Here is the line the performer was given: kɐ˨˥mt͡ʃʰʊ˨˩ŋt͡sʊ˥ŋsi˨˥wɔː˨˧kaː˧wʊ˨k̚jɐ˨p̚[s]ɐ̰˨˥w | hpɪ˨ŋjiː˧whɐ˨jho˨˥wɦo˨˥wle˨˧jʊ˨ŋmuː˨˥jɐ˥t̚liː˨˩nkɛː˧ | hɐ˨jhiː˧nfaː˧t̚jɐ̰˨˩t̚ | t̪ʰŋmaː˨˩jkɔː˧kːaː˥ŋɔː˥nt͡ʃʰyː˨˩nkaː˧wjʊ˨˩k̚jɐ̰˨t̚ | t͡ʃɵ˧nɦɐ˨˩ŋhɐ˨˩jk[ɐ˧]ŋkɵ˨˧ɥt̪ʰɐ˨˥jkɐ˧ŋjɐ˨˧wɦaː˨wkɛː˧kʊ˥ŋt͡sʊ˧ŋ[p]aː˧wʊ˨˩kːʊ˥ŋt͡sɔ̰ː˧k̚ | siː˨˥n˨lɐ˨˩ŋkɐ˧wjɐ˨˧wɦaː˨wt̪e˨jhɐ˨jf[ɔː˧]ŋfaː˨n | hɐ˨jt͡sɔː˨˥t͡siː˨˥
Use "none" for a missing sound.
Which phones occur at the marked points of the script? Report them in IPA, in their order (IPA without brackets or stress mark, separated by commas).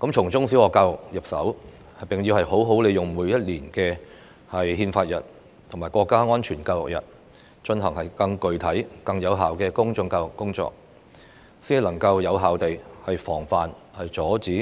s, ɐ˧, k, ɔː˨˩